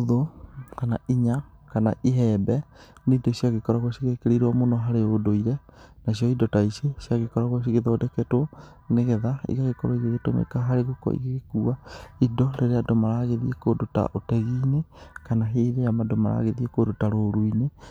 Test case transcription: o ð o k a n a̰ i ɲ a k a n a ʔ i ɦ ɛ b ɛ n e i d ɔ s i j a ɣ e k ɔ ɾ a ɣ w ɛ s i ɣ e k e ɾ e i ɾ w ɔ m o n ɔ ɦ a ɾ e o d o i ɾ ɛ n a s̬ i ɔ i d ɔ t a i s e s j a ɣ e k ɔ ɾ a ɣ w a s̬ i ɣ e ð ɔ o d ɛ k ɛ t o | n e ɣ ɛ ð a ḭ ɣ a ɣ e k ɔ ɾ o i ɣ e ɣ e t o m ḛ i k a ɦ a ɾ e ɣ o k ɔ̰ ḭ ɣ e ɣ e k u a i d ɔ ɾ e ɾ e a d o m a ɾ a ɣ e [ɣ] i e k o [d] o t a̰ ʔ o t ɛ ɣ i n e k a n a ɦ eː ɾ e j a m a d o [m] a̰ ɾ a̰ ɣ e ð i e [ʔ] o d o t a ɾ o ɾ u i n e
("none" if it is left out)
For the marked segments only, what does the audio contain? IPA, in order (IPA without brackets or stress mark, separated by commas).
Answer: ð, d, m, k